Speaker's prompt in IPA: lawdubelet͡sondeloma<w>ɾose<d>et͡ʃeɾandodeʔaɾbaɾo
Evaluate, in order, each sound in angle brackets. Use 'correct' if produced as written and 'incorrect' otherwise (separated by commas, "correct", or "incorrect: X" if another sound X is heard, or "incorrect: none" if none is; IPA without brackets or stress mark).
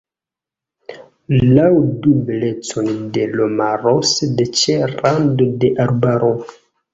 incorrect: none, correct